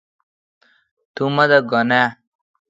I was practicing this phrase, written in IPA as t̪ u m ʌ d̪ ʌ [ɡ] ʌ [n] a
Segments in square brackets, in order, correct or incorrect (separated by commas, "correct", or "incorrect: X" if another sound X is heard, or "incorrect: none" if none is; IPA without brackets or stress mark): correct, correct